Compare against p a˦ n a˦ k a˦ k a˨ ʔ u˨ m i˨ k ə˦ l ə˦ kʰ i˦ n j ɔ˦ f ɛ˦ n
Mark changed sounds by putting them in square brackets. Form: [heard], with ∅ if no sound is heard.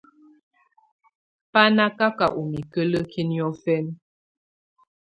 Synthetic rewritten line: p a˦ n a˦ k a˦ k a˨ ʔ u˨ m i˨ k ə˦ l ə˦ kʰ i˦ n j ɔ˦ f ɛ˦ n